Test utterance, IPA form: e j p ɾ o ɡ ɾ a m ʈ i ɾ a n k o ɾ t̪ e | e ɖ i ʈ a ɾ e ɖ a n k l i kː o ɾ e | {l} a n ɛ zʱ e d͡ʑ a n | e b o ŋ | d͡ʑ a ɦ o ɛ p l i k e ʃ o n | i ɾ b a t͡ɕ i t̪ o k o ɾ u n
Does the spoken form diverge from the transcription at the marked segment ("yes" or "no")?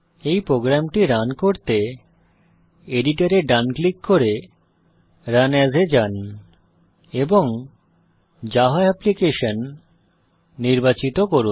yes